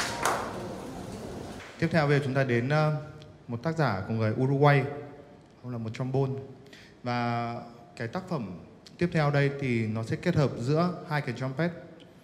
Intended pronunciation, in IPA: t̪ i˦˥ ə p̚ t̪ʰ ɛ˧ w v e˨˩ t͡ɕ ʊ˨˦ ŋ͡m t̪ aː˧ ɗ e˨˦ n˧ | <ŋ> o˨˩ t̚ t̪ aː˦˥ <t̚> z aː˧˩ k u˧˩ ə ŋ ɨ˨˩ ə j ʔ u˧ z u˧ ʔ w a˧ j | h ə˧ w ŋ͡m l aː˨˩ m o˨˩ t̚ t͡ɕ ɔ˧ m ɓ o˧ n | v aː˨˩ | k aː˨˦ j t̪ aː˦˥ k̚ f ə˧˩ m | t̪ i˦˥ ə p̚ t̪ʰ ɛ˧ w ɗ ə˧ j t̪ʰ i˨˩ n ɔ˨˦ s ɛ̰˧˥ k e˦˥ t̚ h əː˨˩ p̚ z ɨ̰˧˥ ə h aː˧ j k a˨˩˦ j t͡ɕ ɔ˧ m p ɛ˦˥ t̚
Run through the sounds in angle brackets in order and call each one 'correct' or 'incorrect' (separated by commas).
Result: incorrect, incorrect